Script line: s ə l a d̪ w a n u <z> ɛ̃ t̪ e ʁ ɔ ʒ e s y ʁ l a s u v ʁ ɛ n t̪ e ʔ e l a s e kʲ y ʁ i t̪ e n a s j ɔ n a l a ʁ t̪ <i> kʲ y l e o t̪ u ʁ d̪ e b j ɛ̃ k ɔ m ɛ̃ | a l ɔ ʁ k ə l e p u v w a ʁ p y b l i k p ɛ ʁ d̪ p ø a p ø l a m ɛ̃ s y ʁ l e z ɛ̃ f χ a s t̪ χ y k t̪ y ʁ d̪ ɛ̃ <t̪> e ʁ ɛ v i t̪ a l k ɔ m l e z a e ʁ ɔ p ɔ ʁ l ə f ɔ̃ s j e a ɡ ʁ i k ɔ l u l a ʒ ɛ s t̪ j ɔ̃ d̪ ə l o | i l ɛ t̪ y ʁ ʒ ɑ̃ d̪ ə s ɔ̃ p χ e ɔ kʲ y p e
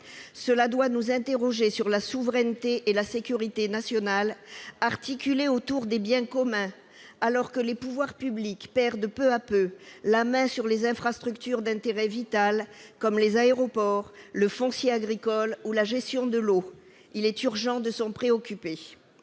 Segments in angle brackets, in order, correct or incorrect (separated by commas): correct, correct, correct